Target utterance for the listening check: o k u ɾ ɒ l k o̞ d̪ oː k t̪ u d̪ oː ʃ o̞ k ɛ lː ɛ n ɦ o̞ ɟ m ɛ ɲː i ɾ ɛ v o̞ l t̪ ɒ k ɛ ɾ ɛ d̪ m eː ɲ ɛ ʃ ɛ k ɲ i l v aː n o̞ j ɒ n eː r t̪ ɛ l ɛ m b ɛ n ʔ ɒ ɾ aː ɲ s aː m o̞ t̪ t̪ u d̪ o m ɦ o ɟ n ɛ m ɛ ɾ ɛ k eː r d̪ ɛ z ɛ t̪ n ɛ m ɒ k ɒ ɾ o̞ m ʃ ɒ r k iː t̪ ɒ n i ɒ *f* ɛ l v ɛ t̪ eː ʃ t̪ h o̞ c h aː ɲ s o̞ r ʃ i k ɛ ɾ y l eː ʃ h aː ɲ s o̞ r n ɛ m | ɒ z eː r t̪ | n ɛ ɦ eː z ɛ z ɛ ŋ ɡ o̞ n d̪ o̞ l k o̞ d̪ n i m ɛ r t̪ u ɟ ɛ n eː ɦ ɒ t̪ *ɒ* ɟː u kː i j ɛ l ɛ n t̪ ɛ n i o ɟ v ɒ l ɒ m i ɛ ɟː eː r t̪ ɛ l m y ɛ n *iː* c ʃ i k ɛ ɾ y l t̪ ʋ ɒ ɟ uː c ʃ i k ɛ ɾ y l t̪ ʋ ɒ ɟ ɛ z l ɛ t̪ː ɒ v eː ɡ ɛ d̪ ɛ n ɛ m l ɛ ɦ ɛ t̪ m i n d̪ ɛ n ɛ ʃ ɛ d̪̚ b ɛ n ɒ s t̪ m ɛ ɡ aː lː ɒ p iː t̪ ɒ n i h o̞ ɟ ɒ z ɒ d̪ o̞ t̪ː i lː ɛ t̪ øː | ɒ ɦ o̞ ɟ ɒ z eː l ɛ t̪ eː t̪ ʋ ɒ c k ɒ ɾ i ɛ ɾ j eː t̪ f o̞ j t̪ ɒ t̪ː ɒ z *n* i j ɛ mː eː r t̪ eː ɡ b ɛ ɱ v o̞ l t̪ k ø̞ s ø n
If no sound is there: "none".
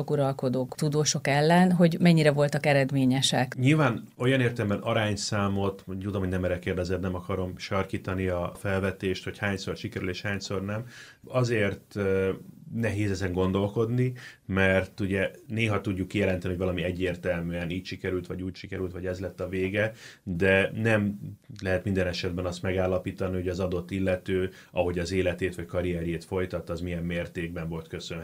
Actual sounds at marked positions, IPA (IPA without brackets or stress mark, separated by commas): f, u, iː, m